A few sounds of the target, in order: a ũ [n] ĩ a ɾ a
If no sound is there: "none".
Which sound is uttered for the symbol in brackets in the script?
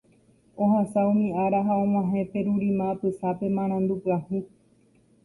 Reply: m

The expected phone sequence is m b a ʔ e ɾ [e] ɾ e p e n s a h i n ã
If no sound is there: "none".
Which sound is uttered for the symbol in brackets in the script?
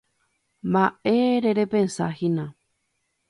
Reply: e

